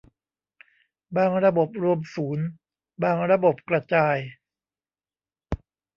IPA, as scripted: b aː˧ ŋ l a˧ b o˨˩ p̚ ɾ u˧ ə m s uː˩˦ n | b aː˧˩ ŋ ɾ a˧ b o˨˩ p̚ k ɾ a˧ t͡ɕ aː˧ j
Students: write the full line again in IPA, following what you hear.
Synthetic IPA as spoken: b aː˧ ŋ ɾ a˧ b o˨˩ p̚ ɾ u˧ ə m s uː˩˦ n | b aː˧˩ ŋ ɾ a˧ b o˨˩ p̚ k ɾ a˧ t͡ɕ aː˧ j